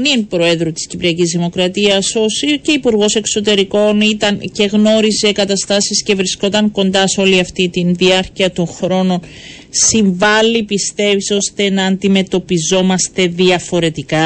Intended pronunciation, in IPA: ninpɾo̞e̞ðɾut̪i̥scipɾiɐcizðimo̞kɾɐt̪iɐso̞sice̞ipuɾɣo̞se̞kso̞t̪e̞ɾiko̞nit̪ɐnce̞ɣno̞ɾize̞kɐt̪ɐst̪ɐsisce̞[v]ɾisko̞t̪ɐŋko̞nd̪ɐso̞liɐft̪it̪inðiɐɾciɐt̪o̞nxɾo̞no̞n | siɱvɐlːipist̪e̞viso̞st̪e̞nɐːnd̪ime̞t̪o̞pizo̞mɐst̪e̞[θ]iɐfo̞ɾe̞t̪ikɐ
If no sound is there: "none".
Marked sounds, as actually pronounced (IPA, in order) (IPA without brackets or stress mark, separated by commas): v, ð